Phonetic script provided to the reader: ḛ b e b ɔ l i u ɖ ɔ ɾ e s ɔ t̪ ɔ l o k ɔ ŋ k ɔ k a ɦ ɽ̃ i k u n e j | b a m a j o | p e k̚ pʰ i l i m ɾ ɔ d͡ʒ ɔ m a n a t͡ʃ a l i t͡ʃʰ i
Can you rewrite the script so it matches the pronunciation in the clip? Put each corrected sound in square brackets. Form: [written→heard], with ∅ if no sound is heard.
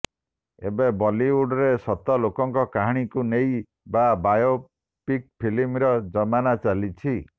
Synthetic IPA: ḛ b e b ɔ l i u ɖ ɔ ɾ e s ɔ t̪ ɔ l o k ɔ ŋ k ɔ k a ɦ ɽ̃ i k u n e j | b a [m→b] a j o | p [e→i] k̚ pʰ i l i m ɾ ɔ d͡ʒ ɔ m a n a t͡ʃ a l i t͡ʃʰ i